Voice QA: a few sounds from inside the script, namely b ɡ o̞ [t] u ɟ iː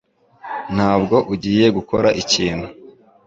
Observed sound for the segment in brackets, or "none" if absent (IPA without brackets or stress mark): ʔ